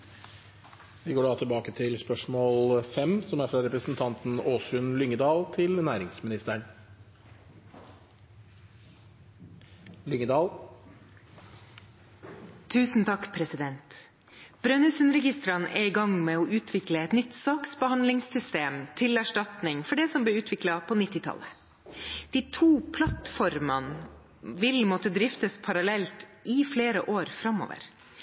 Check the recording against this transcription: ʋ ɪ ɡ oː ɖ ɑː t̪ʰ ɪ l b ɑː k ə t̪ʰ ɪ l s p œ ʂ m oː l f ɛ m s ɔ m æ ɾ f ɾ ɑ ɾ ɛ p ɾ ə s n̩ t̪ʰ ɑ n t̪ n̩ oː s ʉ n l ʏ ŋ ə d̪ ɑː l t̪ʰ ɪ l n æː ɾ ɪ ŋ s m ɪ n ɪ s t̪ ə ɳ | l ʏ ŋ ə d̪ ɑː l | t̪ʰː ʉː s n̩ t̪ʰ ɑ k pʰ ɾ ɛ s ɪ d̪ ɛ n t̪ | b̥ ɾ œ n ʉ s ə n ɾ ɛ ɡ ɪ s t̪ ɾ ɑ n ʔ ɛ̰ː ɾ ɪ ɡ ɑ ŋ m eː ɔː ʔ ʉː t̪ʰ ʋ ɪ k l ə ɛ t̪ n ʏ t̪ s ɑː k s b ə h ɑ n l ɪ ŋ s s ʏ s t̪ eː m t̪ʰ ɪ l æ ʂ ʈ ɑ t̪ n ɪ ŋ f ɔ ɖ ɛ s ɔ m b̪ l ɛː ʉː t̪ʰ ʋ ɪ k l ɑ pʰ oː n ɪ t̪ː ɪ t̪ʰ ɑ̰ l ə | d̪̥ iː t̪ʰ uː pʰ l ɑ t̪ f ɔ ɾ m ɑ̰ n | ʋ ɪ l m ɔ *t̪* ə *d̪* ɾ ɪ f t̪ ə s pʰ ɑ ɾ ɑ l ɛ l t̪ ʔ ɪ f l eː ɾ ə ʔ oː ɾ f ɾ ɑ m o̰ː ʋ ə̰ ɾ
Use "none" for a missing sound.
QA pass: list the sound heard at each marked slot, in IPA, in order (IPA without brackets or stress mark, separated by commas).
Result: t̪, d̪